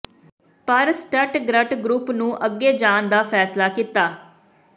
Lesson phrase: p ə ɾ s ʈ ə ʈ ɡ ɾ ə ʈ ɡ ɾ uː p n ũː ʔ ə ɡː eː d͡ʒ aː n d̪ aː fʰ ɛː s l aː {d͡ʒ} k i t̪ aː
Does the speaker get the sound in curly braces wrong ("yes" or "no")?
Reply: yes